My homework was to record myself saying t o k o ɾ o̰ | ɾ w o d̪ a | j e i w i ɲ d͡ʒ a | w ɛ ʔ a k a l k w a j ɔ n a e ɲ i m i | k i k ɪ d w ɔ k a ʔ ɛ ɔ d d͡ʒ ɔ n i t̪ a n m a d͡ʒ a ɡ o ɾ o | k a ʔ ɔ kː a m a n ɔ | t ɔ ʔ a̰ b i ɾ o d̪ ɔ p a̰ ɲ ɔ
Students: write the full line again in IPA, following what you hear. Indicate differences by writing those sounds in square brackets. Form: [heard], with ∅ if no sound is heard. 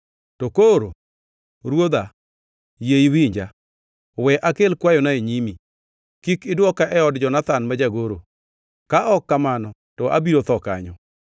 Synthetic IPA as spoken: t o k o ɾ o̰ | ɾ w o d̪ a | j e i w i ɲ d͡ʒ a | w ɛ ʔ a k [e] l k w a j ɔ n a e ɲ i m i | k i k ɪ d w ɔ k a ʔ ɛ ɔ d d͡ʒ ɔ n [a] t̪ a n m a d͡ʒ a ɡ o ɾ o | k a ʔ ɔ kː a m a n ɔ | t ɔ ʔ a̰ b i ɾ o [t̪] ɔ [k] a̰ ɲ ɔ